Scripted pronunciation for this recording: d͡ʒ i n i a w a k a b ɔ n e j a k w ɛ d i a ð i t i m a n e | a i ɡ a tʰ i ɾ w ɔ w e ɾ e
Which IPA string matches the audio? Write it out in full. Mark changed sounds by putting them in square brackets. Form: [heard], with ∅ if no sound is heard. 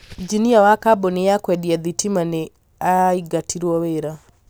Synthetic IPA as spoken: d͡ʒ i n i a w a k a b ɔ n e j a k w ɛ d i a ð i t i m a n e | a i ɡ a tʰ i ɾ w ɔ w e ɾ [a]